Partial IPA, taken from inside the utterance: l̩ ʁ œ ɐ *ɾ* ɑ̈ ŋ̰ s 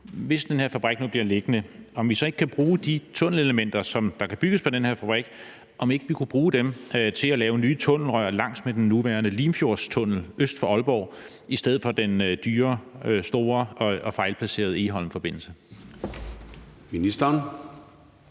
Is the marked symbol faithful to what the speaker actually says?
no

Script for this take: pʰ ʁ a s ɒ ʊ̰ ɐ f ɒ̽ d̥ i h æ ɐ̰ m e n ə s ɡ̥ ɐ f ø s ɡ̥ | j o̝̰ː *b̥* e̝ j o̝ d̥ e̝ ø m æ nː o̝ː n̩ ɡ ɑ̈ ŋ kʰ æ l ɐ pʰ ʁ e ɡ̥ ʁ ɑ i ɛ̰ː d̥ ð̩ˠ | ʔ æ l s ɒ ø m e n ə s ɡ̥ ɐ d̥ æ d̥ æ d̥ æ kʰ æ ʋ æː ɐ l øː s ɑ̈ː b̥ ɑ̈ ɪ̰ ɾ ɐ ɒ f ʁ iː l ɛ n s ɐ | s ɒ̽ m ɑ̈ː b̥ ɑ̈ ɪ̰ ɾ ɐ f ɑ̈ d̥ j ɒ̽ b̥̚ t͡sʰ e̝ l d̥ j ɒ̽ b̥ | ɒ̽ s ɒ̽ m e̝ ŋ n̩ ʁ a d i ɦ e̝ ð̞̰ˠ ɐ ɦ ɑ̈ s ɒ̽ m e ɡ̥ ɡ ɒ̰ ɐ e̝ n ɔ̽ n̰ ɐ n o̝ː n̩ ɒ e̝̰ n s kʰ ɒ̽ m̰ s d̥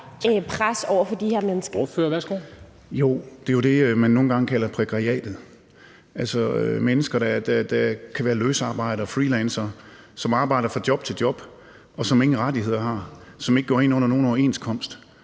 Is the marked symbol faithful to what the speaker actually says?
no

